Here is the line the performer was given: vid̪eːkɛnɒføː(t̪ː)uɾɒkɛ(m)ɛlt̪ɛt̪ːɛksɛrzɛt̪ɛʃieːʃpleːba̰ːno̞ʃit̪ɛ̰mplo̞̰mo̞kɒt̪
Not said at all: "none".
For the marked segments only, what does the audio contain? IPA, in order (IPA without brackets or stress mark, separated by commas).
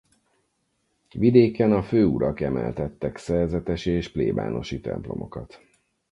none, m